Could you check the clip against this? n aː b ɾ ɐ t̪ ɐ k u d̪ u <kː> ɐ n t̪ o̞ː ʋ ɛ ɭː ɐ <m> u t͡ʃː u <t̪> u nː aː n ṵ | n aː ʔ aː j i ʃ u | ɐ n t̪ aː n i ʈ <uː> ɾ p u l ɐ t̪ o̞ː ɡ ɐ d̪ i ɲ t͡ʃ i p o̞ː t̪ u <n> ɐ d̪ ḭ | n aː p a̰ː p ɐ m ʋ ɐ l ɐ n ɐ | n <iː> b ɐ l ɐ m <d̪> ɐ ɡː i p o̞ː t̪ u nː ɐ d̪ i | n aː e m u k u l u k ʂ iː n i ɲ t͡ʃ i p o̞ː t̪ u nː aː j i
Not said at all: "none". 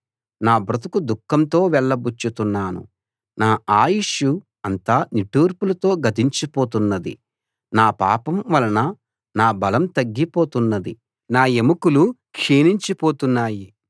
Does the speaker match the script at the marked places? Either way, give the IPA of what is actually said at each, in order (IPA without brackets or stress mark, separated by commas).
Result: kː, b, t̪, uː, nː, aː, t̪